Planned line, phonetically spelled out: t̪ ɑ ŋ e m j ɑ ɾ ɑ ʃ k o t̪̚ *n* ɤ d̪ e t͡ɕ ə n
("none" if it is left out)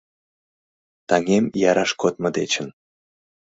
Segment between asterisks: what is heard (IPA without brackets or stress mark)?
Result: m